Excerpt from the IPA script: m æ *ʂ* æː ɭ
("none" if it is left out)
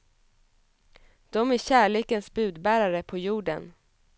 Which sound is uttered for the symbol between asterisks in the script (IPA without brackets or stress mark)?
ɕ